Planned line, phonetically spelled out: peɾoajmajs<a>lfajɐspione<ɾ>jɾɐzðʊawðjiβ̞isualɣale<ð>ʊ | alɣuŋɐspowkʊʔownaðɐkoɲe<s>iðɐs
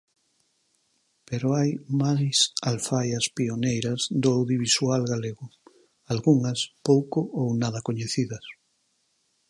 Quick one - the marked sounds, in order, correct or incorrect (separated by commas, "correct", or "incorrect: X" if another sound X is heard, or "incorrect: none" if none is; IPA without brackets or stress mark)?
correct, incorrect: none, incorrect: ɣ, incorrect: θ